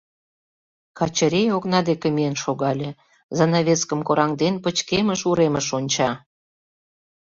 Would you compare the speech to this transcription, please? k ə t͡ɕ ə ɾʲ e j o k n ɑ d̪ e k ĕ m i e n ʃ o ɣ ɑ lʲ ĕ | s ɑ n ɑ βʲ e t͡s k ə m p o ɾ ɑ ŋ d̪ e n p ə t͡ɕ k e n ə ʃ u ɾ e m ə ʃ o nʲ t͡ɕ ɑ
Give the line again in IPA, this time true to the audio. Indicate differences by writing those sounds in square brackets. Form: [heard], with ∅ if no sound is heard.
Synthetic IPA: k [ɑ] t͡ɕ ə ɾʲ e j o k n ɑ d̪ e k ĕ m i e n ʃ o ɣ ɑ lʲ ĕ | [z] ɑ n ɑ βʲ e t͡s k ə m [k] o ɾ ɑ ŋ d̪ e n p ə t͡ɕ k e [m] ə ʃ u ɾ e m ə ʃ o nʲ t͡ɕ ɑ